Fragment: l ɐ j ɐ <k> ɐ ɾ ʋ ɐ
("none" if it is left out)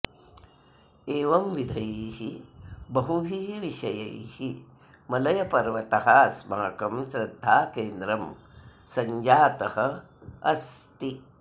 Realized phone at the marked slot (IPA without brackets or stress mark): p